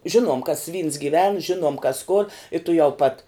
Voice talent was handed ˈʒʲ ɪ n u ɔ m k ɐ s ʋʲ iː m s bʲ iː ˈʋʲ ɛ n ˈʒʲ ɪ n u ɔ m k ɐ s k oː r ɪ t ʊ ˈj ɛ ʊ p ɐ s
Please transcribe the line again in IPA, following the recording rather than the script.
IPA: ˈʒʲ ɪ n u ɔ m k ɐ s ʋʲ iː n s ɡʲ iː ˈʋʲ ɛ n ˈʒʲ ɪ n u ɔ m k ɐ s k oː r ɪ t ʊ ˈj ɛ ʊ p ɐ t